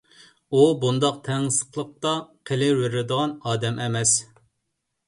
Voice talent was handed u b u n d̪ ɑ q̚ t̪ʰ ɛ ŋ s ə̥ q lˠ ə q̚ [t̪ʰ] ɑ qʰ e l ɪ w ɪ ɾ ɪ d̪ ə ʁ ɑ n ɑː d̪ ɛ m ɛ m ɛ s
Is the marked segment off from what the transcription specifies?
yes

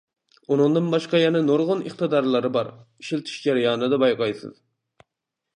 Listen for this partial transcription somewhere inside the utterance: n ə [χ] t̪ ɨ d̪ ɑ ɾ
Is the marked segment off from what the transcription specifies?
no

